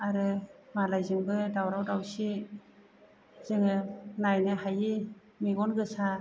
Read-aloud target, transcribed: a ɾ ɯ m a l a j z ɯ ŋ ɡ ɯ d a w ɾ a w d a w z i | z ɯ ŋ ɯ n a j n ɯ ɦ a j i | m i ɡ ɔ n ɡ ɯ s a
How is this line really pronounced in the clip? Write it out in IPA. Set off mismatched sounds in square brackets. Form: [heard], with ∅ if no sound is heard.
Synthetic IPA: a ɾ ɯ m a l a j z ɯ ŋ [b] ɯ d a w ɾ a w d a w [s] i | z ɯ ŋ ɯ n a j n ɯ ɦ a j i | m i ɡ ɔ n ɡ ɯ s a